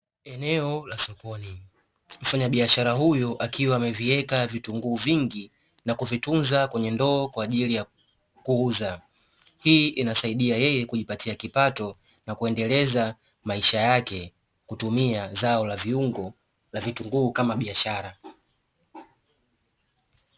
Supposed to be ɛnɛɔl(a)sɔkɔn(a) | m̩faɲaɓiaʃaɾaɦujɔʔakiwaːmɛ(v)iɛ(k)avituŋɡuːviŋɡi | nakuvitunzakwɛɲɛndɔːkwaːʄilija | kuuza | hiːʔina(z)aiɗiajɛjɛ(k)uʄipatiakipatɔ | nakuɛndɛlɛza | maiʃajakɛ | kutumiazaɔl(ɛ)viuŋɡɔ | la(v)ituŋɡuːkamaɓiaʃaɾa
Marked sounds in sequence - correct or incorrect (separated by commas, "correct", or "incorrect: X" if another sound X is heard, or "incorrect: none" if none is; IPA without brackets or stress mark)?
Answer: correct, incorrect: i, correct, correct, incorrect: s, correct, incorrect: a, correct